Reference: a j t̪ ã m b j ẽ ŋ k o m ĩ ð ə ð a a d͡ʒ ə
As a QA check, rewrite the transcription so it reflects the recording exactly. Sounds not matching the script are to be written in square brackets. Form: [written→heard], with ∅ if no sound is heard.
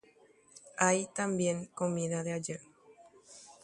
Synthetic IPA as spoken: a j t̪ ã m b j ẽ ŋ k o m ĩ ð [ə→a] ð [a→e] a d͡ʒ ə